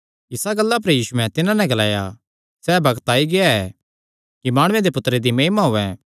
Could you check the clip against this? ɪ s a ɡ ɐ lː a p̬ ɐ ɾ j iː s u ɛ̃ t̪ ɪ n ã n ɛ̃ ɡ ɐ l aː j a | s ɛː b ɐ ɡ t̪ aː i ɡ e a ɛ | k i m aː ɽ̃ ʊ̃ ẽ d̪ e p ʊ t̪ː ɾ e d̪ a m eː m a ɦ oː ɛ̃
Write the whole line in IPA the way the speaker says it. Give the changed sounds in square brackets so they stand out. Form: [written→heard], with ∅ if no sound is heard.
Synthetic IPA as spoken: ɪ s a ɡ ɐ lː a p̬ ɐ ɾ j iː s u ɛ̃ t̪ ɪ n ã n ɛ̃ ɡ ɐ l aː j a | s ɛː b ɐ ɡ t̪ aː i ɡ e a ɛ | k i m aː ɽ̃ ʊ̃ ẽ d̪ e p ʊ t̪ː ɾ e d̪ [a→i] m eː m a ɦ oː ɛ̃